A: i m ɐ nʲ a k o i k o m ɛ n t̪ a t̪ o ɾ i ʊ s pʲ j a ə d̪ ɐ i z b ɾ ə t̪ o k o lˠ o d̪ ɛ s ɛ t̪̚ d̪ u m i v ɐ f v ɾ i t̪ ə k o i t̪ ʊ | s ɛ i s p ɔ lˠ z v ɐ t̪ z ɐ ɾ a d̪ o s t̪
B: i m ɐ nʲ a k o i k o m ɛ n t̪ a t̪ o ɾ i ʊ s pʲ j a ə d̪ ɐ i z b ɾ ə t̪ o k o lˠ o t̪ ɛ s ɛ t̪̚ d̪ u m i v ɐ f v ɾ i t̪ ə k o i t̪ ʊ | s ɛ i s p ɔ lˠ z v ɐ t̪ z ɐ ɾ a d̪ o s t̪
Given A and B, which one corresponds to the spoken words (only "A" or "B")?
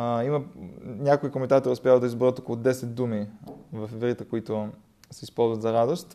A